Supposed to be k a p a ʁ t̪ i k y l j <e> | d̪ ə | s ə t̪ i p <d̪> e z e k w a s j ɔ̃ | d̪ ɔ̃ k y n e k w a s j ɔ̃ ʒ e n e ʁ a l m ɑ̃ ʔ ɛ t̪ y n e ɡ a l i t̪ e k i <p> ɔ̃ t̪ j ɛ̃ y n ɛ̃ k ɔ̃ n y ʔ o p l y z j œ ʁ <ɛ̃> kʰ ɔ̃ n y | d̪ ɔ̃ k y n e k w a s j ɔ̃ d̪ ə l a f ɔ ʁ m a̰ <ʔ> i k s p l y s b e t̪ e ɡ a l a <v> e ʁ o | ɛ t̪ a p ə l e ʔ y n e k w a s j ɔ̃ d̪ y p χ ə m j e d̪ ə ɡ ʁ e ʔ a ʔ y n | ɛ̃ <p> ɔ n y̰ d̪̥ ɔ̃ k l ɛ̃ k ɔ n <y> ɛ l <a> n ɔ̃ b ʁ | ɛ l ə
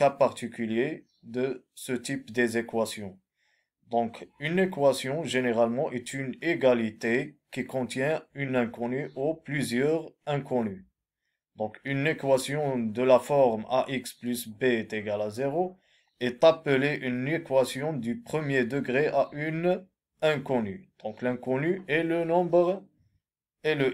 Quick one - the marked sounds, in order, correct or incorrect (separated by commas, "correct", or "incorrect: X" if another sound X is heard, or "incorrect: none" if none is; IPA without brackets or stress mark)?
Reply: correct, correct, incorrect: k, correct, correct, incorrect: z, incorrect: k, correct, incorrect: ə